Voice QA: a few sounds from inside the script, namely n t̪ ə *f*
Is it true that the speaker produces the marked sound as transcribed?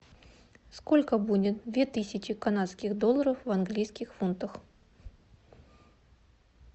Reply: no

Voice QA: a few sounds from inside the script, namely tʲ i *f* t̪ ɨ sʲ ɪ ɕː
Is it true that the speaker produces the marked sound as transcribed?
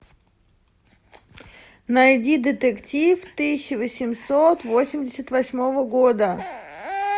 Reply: yes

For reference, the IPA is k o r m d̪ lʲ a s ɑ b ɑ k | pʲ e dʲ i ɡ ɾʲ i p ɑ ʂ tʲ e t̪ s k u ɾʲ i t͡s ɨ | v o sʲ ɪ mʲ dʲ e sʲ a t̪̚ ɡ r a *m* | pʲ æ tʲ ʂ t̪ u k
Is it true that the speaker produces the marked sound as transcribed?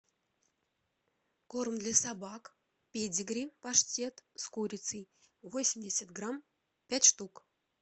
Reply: yes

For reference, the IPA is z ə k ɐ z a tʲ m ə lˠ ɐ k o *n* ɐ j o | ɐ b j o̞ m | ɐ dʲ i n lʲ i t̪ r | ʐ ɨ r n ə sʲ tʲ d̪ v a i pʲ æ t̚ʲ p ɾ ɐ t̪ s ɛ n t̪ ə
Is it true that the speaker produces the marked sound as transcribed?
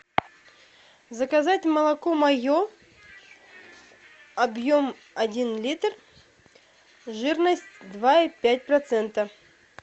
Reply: no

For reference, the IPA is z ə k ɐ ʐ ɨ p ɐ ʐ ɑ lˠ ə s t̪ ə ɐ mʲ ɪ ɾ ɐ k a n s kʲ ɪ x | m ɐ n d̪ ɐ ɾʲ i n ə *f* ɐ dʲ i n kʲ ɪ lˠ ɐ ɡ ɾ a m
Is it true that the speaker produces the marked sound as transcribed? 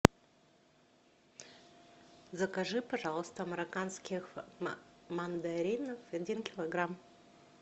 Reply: yes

